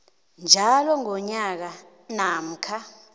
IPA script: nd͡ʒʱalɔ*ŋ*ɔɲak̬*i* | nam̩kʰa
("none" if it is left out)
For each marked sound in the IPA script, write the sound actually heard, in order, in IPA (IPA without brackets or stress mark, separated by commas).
ŋ, a